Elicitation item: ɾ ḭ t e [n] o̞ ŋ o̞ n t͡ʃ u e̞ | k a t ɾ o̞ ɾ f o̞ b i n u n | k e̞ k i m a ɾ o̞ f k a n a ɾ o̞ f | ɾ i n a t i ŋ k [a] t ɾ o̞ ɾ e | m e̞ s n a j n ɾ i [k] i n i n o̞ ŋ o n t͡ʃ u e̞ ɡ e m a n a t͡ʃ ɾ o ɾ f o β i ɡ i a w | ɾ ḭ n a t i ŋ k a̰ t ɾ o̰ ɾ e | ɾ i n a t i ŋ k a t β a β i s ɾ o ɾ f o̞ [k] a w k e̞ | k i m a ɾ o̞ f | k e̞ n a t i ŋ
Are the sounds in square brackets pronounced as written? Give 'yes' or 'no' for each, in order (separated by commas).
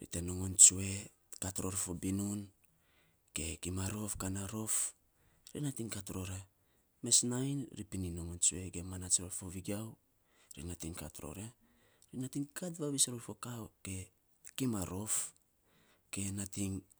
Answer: yes, yes, no, yes